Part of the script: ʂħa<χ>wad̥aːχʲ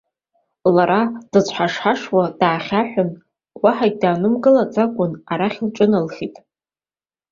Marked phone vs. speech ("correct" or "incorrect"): incorrect